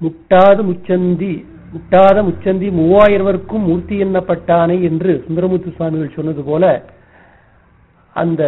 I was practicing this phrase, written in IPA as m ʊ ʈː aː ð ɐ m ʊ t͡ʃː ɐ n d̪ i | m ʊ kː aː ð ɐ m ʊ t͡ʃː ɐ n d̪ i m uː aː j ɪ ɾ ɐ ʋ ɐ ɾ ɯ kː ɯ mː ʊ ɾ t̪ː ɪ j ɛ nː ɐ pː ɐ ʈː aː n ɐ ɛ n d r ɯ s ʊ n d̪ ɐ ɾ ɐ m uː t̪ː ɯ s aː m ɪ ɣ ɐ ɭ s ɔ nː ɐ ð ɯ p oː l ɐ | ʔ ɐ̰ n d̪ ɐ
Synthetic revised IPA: m ʊ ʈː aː ð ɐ m ʊ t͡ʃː ɐ n d̪ i | m ʊ ʈː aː ð ɐ m ʊ t͡ʃː ɐ n d̪ i m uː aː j ɪ ɾ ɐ ʋ ɐ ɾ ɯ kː ɯ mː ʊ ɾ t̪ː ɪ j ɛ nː ɐ pː ɐ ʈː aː n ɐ ɛ n d r ɯ s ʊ n d̪ ɐ ɾ ɐ m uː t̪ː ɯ s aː m ɪ ɣ ɐ ɭ s ɔ nː ɐ ð ɯ p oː l ɐ | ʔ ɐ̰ n d̪ ɐ